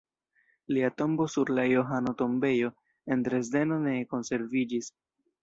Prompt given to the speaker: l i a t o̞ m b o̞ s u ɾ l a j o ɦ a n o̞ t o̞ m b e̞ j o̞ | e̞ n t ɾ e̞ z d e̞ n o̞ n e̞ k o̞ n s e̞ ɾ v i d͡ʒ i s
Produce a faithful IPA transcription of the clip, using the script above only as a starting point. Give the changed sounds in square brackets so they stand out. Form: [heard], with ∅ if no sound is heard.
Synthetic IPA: l i a t o̞ m b o̞ s u ɾ l a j o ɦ a n o̞ t o̞ m b e̞ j o̞ | e̞ n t ɾ e̞ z d e̞ n o̞ n e̞ k o̞ n s e̞ ɾ v i d͡ʒ i s